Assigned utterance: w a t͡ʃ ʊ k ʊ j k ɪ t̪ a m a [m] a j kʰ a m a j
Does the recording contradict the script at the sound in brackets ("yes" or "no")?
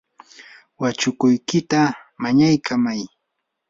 yes